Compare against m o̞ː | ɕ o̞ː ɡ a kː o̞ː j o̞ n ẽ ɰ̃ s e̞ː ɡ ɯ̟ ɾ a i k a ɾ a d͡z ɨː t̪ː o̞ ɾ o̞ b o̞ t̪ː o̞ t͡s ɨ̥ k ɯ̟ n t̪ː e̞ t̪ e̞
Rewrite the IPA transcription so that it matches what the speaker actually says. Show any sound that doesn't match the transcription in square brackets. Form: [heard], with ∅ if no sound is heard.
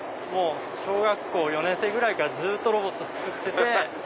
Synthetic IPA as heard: m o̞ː | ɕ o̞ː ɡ a kː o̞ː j o̞ n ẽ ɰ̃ s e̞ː ɡ ɯ̟ ɾ a i k a ɾ a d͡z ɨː t̪ː o̞ ɾ o̞ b o̞ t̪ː o̞ t͡s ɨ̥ k ɯ̟ [∅] t̪ː e̞ t̪ e̞